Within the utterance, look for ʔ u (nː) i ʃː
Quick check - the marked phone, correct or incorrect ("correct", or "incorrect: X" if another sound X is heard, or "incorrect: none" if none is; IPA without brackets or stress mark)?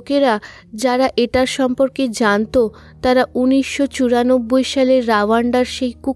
incorrect: n